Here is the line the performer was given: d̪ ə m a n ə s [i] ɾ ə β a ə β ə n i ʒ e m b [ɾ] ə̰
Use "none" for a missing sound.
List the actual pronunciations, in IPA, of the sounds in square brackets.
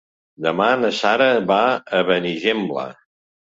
a, l

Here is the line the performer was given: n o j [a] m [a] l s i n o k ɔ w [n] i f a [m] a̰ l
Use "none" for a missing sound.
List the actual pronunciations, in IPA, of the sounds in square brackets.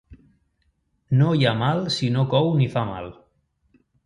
a, a, n, m

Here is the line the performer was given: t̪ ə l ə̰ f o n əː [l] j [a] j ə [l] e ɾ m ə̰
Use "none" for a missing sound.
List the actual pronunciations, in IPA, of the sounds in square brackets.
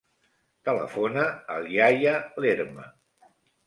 l, a, l

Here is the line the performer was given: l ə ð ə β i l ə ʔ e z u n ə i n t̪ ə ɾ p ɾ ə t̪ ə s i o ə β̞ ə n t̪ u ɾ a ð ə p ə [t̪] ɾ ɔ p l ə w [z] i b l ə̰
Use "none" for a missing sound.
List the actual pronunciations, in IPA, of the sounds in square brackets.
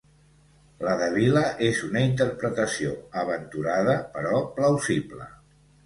none, z

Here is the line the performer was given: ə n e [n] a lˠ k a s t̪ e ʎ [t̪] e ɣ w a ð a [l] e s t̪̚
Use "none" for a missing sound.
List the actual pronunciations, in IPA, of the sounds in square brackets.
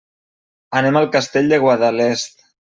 m, d̪, l

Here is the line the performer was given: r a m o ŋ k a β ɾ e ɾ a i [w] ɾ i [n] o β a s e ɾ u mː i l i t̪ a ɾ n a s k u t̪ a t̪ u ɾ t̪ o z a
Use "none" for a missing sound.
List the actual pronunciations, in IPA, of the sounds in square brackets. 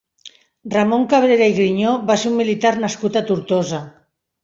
ɣ, ɲ

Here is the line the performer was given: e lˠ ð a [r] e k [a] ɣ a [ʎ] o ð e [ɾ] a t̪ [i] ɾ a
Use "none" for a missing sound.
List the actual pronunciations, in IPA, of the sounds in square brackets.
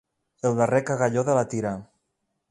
r, a, ʎ, l, i

